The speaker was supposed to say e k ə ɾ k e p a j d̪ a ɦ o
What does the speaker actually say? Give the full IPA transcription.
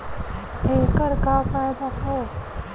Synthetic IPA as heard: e k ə ɾ k a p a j d̪ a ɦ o

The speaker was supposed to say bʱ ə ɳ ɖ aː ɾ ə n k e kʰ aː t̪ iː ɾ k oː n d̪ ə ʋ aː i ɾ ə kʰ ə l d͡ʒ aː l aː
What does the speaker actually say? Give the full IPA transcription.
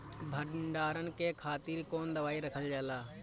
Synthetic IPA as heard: bʱ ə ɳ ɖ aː ɾ ə n k e kʰ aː t̪ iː ɾ k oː n d̪ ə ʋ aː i ɾ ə kʰ ə l d͡ʒ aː l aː

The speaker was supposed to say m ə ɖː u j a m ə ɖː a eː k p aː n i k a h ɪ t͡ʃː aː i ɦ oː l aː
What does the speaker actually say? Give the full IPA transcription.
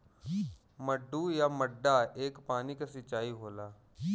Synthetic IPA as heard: m ə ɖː u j a m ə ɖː a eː k p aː n i k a s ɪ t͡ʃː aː i ɦ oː l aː

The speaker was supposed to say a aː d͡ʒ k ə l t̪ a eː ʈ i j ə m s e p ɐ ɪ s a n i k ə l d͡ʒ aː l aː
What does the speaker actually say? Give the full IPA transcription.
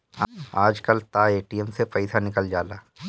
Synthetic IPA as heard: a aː d͡ʒ k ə l t̪ a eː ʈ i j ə m s e p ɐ ɪ s a n ɪ k ə l d͡ʒ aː l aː

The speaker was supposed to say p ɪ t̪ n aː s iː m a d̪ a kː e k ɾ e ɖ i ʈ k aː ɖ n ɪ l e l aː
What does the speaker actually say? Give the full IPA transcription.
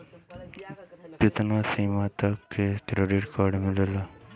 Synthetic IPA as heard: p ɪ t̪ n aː s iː m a t̪ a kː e k ɾ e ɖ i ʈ k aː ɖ m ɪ l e l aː

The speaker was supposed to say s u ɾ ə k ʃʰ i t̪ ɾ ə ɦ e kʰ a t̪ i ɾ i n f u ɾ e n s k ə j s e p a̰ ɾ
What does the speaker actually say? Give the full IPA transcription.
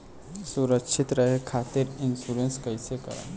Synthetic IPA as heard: s u ɾ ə k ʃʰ i t̪ ɾ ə ɦ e kʰ a t̪ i ɾ i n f u ɾ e n s k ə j s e k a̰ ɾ

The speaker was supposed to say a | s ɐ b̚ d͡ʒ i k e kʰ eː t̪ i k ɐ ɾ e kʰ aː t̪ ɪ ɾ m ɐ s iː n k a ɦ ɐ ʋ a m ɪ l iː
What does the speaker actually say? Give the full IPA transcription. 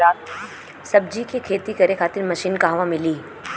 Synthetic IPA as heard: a | s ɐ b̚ d͡ʒ i k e kʰ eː t̪ i k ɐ ɾ e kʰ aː t̪ ɪ ɾ m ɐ ʃ iː n k a ɦ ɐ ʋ a m ɪ l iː

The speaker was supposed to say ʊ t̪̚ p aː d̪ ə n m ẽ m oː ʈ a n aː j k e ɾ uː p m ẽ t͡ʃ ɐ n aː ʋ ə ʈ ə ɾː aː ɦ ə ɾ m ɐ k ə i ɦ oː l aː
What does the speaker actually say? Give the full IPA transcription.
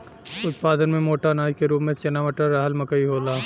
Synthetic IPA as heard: ʊ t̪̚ p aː d̪ ə n m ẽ m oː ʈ a n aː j k e ɾ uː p m ẽ t͡ʃ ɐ n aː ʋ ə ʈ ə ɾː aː ɦ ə l m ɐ k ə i ɦ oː l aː

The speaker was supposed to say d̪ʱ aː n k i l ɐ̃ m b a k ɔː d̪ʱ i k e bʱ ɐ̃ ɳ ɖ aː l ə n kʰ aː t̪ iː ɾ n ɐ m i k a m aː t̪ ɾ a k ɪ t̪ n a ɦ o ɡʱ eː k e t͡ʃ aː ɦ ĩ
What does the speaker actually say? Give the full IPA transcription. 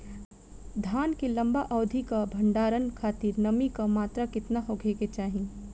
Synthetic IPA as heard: d̪ʱ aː n k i l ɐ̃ m b a ʔ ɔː d̪ʱ i k a bʱ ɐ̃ ɳ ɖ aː ɾ ə n kʰ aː t̪ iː ɾ n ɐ m i k a m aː t̪ ɾ a k ɪ t̪ n a ɦ o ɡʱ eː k e t͡ʃ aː ɦ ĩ

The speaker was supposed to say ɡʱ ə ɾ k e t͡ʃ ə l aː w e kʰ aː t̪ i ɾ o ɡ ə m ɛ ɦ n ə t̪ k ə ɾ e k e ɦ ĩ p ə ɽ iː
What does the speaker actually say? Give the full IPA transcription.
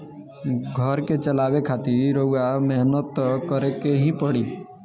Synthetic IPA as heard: ɡʱ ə ɾ k e t͡ʃ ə l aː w e kʰ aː t̪ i ɾ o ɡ a m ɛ ɦ n ə t̪ k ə ɾ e k e ɦ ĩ p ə ɽ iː

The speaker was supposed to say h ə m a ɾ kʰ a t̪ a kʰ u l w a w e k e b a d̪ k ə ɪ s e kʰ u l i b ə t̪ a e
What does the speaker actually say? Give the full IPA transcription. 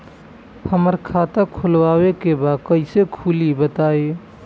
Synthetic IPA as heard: h ə m ə ɾ kʰ a t̪ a kʰ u l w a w e k e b a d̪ k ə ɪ s e kʰ u l i b ə t̪ a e

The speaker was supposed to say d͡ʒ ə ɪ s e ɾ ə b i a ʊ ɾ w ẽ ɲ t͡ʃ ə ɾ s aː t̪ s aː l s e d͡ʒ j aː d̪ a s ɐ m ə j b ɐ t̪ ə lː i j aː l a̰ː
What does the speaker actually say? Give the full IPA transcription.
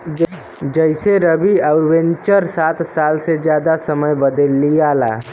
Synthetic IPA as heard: d͡ʒ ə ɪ s e ɾ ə b i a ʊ ɾ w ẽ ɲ t͡ʃ ə ɾ s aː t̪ s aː l s e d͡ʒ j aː d̪ a s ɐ m ə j b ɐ d̪ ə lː i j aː l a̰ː

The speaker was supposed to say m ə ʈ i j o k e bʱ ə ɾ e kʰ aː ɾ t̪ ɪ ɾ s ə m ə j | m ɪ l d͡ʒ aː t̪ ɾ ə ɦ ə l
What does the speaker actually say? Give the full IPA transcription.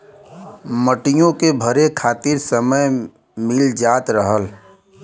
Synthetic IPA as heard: m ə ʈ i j õ k e bʱ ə ɾ e kʰ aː t̪ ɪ ɾ s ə m ə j | m ɪ l d͡ʒ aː t̪ ɾ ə ɦ ə l

